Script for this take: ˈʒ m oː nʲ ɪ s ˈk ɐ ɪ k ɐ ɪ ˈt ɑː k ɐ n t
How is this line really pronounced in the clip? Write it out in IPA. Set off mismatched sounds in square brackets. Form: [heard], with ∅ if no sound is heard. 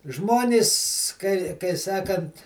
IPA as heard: ˈʒ m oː nʲ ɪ s ˈk ɐ ɪ k ɐ ɪ [ˈs] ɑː k ɐ n t